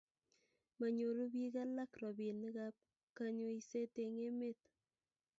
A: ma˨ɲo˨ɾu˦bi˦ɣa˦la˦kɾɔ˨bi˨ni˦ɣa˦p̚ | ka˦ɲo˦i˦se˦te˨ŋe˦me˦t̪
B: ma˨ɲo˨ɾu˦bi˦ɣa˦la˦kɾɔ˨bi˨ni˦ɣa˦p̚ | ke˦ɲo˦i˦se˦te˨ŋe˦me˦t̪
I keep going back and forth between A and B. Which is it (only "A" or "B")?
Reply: A